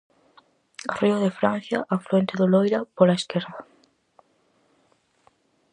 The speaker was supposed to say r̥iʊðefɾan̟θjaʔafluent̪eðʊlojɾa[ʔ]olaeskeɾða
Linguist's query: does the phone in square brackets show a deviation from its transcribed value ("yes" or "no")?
yes